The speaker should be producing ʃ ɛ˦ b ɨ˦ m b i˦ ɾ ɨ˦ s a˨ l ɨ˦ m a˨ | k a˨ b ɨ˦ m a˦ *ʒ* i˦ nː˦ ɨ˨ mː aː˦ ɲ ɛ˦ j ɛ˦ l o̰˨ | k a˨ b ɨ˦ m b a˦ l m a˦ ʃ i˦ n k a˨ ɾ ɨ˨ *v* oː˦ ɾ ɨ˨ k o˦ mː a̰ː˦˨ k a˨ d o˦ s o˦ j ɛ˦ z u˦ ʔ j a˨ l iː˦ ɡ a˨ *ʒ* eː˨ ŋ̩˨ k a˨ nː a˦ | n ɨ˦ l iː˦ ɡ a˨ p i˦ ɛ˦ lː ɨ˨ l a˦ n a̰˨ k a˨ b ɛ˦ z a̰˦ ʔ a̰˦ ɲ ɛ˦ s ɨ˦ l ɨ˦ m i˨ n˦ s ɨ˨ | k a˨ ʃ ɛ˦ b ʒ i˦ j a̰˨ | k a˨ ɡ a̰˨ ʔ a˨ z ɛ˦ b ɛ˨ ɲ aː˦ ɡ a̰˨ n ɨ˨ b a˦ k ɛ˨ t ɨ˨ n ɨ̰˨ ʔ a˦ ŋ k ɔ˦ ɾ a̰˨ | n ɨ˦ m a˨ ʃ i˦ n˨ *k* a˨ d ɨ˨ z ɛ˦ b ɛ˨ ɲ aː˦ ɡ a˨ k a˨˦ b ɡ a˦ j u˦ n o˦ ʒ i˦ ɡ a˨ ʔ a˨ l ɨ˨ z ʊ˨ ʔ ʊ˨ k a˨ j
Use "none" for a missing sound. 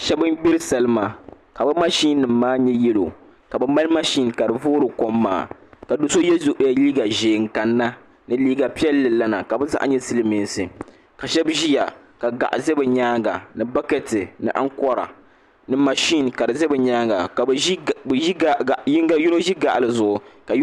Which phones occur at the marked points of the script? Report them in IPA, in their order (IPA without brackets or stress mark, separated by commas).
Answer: ʃ, v, ʒ, k